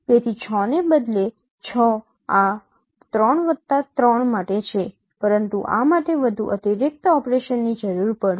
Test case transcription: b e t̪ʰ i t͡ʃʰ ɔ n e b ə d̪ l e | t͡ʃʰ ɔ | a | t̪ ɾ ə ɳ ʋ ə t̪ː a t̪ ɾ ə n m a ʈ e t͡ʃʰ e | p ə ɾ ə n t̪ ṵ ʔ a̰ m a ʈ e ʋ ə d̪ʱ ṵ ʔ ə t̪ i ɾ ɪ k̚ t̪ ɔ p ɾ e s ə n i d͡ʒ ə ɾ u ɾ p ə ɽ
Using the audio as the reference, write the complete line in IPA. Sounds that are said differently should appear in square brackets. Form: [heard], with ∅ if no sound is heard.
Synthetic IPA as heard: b e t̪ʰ i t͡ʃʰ ɔ n e b ə d̪ l e | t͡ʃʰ ɔ | a | t̪ ɾ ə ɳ ʋ ə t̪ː a t̪ ɾ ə [ɳ] m a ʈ e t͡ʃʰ e | p ə ɾ ə n t̪ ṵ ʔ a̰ m a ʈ e ʋ ə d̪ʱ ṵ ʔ ə t̪ i ɾ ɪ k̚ t̪ ɔ p ɾ e [ʃ] ə [nː] i d͡ʒ ə ɾ u ɾ p ə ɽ